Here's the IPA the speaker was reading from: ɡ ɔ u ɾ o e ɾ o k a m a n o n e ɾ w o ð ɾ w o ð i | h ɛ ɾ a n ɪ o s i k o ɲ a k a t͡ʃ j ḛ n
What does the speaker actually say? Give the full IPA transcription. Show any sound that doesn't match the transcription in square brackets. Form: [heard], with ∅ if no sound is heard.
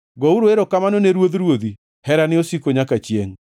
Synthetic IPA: ɡ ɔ u ɾ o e ɾ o k a m a n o n e ɾ w o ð ɾ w o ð i | h ɛ ɾ a n ɪ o s i k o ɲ a k a t͡ʃ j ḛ [ŋ]